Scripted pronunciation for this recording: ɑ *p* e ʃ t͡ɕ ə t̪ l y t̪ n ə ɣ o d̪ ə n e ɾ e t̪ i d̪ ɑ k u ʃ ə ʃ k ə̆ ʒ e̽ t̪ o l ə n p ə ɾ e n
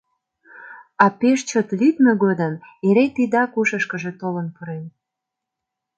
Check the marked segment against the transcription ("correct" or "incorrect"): correct